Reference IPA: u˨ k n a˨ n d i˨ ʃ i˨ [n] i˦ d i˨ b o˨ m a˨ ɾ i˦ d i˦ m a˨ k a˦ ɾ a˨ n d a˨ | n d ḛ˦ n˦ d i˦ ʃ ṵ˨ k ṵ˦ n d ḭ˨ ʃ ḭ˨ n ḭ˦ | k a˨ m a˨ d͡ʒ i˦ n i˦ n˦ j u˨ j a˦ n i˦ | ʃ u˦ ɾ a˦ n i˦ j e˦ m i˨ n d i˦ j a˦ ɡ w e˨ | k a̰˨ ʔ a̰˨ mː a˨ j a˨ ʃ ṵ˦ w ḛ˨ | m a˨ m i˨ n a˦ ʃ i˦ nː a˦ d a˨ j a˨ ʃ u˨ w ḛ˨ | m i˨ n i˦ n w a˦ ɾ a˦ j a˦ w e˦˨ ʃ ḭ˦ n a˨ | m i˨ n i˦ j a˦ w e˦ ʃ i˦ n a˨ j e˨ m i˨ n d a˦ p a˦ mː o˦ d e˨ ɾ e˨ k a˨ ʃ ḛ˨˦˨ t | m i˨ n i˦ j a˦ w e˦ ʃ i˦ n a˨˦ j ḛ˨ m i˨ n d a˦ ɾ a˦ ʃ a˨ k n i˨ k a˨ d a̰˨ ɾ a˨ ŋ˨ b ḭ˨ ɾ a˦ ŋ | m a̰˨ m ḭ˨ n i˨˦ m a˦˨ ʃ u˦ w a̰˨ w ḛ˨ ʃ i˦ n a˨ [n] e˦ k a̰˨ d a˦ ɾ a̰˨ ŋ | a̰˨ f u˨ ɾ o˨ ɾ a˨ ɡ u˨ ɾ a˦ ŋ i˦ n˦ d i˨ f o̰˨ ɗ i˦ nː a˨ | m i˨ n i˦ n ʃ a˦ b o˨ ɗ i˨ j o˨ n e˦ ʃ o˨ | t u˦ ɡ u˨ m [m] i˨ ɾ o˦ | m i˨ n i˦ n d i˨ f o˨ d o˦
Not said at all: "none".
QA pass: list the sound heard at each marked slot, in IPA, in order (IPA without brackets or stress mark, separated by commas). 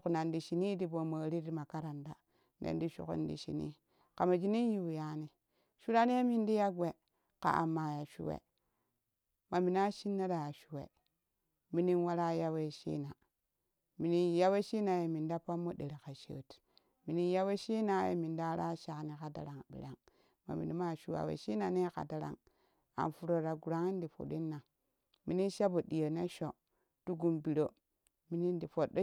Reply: n, n, b